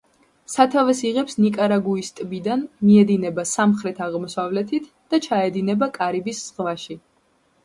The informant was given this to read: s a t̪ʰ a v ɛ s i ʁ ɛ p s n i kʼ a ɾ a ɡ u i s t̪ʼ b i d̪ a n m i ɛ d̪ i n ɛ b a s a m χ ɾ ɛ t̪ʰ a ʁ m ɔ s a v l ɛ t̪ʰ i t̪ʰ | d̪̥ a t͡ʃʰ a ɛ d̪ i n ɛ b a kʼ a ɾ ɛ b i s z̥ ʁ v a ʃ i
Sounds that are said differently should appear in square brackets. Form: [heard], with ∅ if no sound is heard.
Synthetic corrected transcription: s a t̪ʰ a v ɛ s i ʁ ɛ p s n i kʼ a ɾ a ɡ u i s t̪ʼ b i d̪ a n m i ɛ d̪ i n ɛ b a s a m χ ɾ ɛ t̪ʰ a ʁ m ɔ s a v l ɛ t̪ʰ i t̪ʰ | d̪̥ a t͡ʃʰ a ɛ d̪ i n ɛ b a kʼ a ɾ [i] b i s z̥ ʁ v a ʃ i